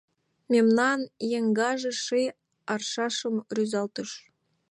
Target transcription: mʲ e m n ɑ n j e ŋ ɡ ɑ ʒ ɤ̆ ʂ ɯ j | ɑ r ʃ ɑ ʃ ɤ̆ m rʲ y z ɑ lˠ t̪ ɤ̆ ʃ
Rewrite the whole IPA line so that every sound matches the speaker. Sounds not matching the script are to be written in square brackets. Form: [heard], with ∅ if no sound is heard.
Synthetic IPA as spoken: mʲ e m n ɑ n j e ŋ ɡ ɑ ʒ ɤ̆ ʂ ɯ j | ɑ r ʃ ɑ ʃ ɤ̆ m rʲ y z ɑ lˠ t̪ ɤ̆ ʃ